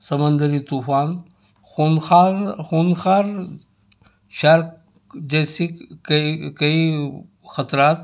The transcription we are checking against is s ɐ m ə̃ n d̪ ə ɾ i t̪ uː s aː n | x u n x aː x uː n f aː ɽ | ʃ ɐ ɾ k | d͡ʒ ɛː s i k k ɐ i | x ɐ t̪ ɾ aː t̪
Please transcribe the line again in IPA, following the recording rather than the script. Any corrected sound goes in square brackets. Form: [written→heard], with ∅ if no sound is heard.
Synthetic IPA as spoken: s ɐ m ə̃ n d̪ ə ɾ i t̪ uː [s→f] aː n | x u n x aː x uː n [f→x] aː [ɽ→ɾ] | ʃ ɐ ɾ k | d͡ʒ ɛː s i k k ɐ i | x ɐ t̪ ɾ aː t̪